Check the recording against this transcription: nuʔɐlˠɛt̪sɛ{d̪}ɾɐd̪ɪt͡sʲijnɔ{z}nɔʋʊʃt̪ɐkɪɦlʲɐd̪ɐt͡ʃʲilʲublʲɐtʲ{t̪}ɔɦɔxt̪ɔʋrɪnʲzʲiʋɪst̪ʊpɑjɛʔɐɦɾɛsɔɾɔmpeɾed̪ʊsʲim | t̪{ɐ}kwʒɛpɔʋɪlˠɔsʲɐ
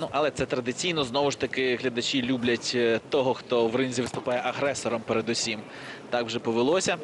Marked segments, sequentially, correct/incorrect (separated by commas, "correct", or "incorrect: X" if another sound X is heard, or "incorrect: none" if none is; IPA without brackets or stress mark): incorrect: t̪, correct, correct, incorrect: ɑ